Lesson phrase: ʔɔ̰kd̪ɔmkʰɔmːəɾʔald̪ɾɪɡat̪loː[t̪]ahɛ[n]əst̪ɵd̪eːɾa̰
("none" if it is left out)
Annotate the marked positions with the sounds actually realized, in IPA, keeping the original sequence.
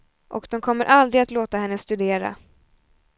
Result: t̪, nː

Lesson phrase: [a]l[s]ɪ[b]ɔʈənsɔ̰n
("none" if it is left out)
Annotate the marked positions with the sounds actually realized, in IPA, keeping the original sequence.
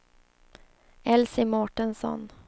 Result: ɛ, s, m

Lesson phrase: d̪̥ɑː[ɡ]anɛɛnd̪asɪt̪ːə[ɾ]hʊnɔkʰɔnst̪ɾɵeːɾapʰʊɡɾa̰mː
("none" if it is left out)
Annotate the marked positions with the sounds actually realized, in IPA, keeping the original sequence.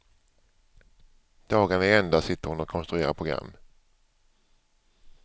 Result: ɡ, ɾ

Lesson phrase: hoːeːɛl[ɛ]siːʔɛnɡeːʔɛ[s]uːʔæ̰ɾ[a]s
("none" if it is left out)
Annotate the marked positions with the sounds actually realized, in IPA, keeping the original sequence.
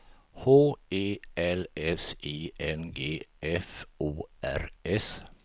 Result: ɛ, f, ɛ

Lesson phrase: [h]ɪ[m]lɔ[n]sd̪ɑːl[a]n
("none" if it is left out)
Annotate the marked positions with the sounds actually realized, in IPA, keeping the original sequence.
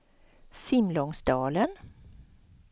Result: s, m, ŋ, ə

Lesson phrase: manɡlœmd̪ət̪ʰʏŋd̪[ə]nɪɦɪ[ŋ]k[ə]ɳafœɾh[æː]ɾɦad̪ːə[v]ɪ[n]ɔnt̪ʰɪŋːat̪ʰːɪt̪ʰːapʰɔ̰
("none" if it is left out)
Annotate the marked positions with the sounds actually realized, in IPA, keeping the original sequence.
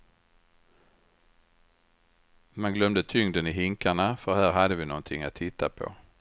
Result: ə, ŋ, a, æː, v, n

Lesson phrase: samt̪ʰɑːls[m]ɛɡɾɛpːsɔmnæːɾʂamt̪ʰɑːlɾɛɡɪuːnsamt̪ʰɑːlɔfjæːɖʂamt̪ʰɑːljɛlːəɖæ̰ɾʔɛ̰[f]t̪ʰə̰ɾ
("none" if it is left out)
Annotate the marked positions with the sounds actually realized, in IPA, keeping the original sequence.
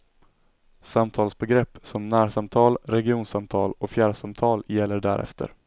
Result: b, f

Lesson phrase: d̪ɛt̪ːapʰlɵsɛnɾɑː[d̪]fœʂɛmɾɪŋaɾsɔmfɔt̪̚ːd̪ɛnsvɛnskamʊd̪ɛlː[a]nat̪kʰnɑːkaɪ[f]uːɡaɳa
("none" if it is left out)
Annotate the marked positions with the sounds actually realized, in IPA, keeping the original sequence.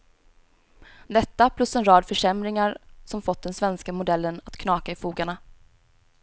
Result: d̪, ə, f

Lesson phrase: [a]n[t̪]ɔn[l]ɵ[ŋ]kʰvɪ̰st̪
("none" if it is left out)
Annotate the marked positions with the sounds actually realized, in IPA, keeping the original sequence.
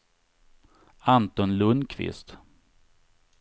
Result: a, t̪, l, n

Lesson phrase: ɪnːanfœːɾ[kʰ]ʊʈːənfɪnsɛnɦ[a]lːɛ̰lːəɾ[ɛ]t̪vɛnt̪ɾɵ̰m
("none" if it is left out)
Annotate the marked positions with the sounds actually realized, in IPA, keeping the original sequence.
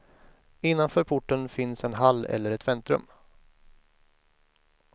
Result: pʰ, a, ɛ

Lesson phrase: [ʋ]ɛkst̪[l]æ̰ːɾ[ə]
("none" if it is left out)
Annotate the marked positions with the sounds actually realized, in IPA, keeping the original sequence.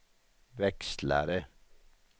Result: ʋ, l, ə

